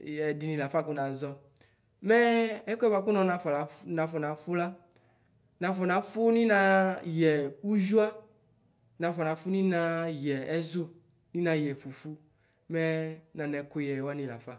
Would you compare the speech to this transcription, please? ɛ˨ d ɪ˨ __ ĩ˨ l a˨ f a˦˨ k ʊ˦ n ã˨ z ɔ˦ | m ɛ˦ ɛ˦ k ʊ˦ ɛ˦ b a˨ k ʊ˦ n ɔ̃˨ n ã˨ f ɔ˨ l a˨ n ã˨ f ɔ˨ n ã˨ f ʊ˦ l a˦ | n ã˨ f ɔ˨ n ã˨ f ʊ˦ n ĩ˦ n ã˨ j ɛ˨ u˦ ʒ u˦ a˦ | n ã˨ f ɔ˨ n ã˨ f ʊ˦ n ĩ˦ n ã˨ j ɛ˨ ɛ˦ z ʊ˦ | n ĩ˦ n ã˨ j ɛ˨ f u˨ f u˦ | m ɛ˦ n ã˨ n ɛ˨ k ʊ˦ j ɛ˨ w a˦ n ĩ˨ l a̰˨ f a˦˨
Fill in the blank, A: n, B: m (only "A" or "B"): A